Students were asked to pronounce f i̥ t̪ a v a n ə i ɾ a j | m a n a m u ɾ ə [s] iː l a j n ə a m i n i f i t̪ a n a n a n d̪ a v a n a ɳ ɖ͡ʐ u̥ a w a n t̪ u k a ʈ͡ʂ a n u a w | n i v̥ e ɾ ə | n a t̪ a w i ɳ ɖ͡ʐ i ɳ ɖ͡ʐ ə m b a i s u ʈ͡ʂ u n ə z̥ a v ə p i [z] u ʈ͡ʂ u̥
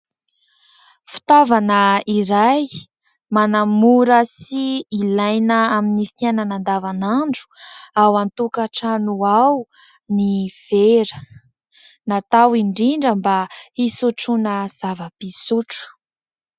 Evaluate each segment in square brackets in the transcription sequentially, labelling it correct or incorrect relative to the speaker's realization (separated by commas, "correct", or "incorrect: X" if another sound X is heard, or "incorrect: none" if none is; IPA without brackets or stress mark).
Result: correct, incorrect: s